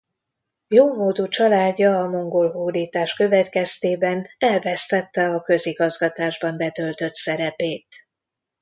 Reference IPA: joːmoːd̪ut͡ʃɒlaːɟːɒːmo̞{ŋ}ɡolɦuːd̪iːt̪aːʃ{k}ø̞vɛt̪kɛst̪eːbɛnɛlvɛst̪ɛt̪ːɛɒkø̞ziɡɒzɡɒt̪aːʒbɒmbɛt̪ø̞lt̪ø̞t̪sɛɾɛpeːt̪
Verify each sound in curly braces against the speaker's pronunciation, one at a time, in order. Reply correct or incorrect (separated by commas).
correct, correct